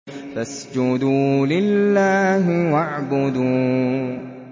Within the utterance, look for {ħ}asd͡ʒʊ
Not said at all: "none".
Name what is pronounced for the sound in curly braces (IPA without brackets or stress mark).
f